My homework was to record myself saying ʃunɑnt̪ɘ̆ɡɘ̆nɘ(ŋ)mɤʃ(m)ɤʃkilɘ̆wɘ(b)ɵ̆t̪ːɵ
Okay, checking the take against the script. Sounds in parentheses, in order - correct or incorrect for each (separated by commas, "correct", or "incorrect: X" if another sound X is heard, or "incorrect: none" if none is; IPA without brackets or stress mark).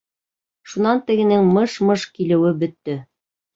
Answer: correct, correct, correct